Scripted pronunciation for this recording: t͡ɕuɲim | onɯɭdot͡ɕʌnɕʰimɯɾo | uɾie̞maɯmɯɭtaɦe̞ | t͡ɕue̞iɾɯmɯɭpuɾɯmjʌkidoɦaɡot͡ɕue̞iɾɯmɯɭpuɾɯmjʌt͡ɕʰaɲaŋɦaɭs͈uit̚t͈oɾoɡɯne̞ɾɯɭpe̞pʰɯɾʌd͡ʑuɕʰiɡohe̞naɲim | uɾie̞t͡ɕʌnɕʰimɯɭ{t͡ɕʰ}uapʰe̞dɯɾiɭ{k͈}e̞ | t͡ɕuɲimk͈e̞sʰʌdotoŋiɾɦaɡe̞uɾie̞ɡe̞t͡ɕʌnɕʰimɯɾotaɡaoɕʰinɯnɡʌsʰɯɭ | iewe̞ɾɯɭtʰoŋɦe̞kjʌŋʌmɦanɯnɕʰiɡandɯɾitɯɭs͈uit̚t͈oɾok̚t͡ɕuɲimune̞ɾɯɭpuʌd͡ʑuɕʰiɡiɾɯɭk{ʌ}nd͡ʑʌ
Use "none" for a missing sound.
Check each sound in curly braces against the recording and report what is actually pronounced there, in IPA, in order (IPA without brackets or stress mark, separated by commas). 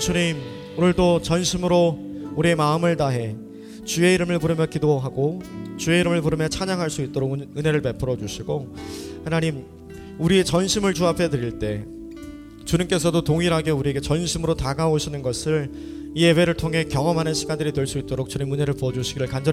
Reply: t͡ɕ, t͈, a